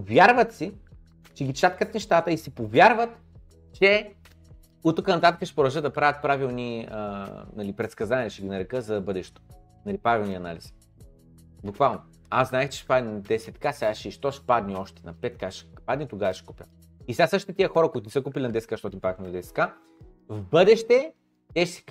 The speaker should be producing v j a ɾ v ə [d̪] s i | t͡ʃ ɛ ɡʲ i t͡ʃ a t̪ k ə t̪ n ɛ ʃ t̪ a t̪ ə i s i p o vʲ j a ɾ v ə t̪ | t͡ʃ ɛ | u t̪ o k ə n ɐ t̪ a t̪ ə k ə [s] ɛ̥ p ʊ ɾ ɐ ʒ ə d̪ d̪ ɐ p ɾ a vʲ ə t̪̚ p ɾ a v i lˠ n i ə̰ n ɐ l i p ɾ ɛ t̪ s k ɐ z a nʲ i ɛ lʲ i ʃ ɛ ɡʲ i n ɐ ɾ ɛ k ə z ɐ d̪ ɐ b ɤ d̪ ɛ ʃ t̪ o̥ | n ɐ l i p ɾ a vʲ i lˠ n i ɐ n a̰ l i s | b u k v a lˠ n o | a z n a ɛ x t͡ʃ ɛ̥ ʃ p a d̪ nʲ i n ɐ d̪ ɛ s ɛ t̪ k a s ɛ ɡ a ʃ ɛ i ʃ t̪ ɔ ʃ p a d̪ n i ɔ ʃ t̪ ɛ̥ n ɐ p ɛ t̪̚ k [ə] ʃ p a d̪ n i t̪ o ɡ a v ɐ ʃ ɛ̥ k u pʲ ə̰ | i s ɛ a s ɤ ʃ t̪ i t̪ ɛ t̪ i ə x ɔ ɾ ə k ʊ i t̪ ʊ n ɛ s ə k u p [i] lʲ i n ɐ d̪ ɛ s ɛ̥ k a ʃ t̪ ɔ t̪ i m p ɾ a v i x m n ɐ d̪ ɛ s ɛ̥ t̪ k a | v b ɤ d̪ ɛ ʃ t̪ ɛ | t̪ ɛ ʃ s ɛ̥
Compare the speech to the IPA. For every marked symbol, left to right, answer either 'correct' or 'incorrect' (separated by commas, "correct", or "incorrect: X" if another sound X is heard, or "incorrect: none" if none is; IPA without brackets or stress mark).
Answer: incorrect: t̪, incorrect: ʃ, incorrect: a, correct